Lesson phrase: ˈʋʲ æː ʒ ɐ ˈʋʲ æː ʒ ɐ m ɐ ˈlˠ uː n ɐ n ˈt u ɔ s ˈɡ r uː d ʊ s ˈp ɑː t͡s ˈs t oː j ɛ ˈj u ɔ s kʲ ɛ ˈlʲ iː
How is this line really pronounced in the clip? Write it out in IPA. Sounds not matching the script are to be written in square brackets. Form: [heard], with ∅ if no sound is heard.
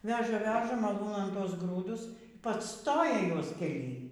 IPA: ˈʋʲ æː ʒ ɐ ˈʋʲ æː ʒ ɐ m ɐ ˈlˠ uː n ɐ n ˈt u ɔ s ˈɡ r uː d ʊ s ˈp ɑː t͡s ˈs t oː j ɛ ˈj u ɔ s kʲ ɛ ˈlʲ iː